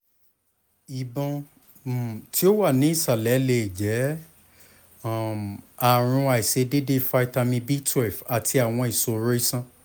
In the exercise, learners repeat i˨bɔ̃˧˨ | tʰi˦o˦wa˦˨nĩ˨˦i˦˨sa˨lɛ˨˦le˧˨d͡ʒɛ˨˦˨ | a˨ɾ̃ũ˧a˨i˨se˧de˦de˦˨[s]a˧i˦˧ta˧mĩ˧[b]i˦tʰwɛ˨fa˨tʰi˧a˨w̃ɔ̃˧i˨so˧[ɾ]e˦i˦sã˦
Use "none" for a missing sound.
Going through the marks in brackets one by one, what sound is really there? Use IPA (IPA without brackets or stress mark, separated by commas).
f, b, ɾ